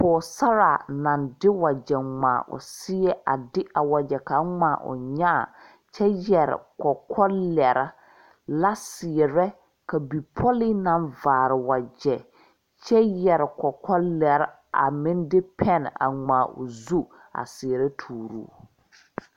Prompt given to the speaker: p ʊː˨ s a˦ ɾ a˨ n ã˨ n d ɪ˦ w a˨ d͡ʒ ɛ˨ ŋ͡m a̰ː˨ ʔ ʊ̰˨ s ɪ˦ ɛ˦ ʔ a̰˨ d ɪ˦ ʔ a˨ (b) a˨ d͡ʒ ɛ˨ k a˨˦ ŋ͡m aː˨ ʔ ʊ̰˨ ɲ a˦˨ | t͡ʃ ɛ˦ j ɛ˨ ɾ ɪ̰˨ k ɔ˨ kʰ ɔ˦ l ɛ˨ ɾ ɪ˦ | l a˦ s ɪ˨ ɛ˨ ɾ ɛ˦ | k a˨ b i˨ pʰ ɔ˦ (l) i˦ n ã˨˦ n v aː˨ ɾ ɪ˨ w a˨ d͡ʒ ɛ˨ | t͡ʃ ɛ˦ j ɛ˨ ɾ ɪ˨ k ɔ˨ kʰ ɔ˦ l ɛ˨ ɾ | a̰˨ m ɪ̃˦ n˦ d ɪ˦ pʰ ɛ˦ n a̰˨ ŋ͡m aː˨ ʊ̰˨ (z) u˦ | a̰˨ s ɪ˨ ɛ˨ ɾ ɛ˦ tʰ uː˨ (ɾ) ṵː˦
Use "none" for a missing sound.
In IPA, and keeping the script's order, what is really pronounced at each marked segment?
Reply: w, l, z, ɾ

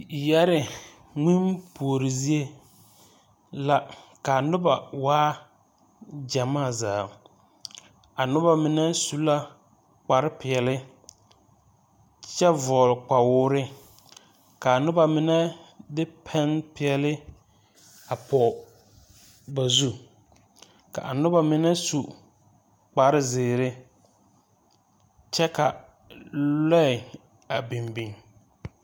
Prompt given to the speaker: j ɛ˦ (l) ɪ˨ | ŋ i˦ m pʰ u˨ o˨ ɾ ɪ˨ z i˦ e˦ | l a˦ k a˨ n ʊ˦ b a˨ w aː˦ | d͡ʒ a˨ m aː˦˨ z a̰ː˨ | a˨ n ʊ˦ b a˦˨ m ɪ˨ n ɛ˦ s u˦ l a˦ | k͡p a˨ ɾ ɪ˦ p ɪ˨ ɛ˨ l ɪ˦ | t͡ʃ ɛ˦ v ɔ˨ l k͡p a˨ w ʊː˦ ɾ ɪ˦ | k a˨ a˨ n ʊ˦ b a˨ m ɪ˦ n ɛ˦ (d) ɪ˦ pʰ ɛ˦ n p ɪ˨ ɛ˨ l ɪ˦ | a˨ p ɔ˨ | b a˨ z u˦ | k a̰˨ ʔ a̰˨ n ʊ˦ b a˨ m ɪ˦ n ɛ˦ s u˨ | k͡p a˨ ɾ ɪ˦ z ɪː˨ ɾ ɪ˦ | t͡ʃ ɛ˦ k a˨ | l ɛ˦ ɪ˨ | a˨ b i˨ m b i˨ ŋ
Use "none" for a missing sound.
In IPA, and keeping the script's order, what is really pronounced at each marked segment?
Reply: ɾ, d

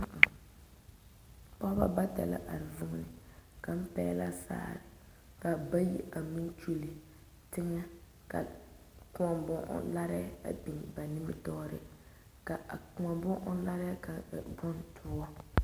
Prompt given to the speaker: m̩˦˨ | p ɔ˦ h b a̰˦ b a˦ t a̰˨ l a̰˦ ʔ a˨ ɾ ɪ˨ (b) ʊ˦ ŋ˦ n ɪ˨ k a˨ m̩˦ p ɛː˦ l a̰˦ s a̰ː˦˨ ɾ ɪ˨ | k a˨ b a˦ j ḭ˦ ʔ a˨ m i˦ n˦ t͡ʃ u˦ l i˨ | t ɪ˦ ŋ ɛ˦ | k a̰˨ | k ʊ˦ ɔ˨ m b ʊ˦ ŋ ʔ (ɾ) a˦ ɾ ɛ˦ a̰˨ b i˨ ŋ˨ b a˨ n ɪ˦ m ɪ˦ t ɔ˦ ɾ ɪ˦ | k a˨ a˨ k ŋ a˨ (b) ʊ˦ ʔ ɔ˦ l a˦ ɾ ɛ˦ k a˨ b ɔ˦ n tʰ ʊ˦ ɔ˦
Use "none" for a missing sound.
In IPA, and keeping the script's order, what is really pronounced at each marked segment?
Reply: v, l, b

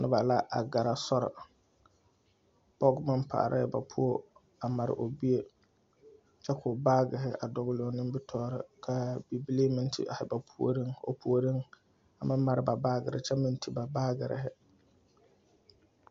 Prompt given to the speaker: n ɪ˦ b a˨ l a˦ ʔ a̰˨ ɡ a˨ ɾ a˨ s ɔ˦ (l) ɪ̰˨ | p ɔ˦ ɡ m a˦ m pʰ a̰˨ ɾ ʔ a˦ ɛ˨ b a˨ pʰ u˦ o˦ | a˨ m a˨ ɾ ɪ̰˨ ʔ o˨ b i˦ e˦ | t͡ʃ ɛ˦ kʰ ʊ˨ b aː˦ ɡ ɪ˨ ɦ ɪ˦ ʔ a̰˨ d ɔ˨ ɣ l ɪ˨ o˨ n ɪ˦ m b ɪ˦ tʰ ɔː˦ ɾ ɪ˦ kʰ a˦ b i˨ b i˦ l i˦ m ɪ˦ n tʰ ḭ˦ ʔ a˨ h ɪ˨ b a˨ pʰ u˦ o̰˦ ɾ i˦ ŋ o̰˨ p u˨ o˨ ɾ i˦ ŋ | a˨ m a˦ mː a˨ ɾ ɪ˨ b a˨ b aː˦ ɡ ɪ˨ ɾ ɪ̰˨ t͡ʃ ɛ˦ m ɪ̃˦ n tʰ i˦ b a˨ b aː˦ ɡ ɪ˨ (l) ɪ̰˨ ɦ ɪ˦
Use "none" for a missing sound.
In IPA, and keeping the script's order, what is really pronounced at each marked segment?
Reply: ɾ, ɾ

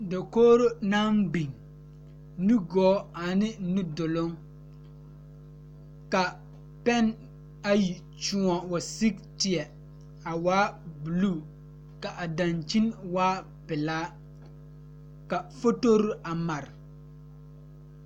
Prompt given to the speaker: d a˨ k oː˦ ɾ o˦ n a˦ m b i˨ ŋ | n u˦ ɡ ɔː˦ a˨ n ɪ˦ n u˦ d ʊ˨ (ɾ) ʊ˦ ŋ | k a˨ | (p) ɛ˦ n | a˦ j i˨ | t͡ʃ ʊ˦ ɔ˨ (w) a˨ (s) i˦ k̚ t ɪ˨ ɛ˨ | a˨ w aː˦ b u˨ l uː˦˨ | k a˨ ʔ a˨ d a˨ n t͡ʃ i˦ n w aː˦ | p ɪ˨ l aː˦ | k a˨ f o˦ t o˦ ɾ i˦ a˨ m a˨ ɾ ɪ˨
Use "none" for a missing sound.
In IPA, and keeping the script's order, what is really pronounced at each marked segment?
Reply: l, p, w, s

